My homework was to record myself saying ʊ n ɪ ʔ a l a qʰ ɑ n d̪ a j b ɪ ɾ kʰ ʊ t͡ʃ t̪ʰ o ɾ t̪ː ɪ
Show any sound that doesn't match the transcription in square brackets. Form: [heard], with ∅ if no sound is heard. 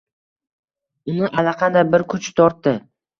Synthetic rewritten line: ʊ n ɪ ʔ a l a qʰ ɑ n d̪ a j b ɪ ɾ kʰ ʊ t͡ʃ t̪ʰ [ɒ] ɾ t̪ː ɪ